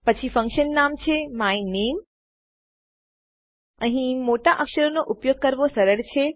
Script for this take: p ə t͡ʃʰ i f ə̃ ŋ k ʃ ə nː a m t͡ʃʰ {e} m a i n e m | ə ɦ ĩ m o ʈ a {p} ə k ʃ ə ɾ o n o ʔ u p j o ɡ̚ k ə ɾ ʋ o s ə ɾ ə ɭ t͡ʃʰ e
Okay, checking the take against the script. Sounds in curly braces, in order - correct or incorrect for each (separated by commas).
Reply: correct, incorrect